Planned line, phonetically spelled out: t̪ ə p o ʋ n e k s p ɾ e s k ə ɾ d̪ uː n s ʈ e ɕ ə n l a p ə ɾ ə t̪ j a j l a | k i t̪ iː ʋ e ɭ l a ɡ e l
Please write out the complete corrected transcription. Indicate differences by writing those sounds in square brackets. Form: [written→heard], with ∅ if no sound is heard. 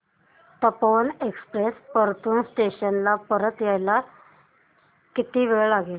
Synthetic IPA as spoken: t̪ ə p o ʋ n e k s p ɾ e s [k→p] ə ɾ [d̪→t̪] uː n s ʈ e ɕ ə n l a p ə ɾ ə t̪ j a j l a | k i t̪ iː ʋ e ɭ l a ɡ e l